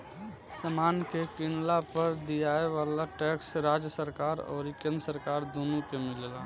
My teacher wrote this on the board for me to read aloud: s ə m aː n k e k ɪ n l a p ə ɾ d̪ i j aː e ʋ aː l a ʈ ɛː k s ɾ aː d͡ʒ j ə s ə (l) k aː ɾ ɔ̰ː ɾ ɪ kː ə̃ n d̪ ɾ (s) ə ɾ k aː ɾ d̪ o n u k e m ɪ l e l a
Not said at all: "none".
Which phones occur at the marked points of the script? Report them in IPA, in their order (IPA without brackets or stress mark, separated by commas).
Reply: ɾ, s